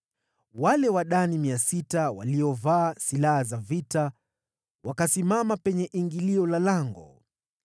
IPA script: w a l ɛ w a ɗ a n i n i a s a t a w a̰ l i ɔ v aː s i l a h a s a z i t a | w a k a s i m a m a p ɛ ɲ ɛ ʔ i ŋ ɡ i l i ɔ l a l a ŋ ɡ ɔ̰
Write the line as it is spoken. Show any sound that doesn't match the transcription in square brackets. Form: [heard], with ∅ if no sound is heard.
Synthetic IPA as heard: w a l ɛ w a ɗ a n i [m] i a s [i] t a w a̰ l i ɔ v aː s i l a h a [z] a [v] i t a | w a k a s i m a m a p ɛ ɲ ɛ ʔ i ŋ ɡ i l i ɔ l a l a ŋ ɡ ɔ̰